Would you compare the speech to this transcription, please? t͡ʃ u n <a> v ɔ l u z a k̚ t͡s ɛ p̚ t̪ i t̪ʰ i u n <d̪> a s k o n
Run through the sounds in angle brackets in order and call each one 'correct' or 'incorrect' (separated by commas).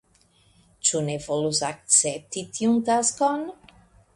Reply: incorrect, incorrect